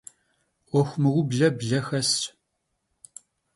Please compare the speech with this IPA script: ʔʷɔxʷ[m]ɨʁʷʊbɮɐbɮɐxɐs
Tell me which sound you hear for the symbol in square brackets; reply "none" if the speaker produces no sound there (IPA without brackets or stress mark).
m